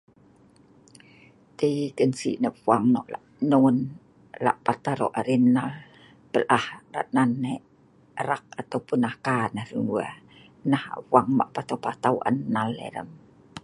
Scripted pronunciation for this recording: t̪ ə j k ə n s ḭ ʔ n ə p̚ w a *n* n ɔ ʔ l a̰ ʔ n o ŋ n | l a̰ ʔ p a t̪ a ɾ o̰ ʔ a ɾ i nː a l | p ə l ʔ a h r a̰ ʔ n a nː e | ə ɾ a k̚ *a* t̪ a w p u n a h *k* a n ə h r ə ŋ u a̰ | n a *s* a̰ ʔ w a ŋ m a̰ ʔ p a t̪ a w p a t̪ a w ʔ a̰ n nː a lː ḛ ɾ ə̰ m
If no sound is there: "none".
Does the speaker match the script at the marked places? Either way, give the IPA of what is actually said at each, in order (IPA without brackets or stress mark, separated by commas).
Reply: ŋ, a, k, h